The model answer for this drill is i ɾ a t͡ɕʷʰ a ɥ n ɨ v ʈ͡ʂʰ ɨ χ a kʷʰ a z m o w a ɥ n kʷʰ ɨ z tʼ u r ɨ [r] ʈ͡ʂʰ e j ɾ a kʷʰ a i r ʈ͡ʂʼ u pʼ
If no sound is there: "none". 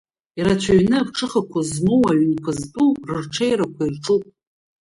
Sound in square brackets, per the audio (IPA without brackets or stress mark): r